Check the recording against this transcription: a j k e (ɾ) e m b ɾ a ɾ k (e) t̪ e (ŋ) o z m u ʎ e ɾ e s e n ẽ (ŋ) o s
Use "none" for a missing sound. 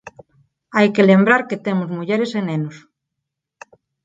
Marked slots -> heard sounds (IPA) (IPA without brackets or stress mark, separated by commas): l, e, m, n